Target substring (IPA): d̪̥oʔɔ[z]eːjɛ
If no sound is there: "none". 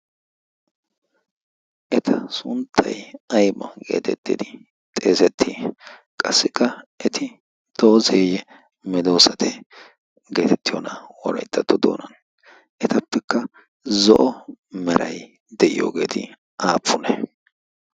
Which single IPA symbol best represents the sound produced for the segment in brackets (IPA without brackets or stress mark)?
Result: z